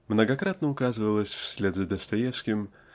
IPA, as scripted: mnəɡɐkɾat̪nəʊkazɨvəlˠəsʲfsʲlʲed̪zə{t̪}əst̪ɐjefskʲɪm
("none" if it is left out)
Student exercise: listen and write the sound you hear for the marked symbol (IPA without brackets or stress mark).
d̪